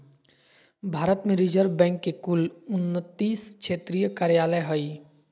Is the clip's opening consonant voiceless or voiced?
voiced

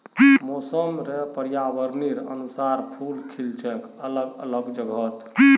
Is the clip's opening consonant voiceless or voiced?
voiced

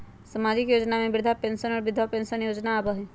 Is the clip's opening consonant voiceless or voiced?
voiceless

